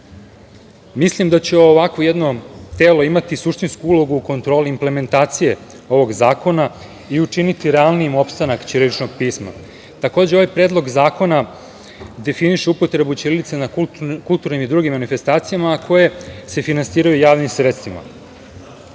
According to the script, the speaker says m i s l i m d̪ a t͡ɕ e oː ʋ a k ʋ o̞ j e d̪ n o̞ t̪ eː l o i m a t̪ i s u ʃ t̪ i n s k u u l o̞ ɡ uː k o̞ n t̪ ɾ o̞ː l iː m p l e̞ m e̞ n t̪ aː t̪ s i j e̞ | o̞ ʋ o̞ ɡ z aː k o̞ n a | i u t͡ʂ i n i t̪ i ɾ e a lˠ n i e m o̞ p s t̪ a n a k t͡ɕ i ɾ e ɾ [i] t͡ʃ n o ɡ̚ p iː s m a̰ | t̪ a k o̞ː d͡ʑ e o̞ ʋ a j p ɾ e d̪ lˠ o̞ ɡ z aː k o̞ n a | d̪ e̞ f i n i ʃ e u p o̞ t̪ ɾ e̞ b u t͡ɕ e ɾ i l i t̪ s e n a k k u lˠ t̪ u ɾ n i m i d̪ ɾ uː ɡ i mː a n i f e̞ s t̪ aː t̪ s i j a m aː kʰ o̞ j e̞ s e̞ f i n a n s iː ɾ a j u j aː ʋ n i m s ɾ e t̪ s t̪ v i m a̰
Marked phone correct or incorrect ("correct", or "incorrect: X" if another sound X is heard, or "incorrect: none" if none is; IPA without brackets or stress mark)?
correct